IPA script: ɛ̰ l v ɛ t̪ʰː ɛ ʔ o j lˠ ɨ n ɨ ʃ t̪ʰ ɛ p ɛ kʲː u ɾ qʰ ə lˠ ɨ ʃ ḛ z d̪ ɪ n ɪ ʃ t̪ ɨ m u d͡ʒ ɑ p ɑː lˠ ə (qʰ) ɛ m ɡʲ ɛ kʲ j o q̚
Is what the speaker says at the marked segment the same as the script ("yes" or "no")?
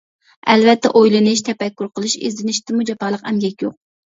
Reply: no